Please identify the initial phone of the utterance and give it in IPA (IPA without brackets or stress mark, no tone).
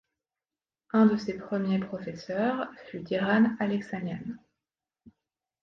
ɛ̃